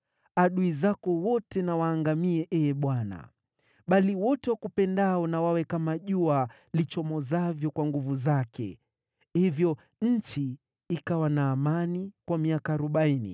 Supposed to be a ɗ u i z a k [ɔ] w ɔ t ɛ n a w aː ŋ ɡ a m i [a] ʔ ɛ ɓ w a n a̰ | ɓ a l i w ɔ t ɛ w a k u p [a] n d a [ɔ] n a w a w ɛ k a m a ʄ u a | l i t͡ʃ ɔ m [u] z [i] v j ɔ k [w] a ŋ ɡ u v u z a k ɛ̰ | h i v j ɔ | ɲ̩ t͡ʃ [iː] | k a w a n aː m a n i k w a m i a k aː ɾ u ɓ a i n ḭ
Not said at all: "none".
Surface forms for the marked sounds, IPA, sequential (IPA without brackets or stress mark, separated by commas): ɔ, ɛ, ɛ, ɔ, ɔ, a, w, iː